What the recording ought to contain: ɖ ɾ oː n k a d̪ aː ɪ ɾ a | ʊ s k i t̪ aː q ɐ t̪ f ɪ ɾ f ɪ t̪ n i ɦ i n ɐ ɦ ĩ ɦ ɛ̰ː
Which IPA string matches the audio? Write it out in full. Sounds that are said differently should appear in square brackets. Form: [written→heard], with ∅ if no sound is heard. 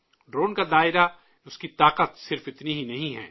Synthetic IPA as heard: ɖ ɾ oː n k a d̪ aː ɪ ɾ a | ʊ s k i t̪ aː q [ɐ→ə] t̪ [f→s] ɪ ɾ f ɪ t̪ n i ɦ i n ɐ ɦ ĩ ɦ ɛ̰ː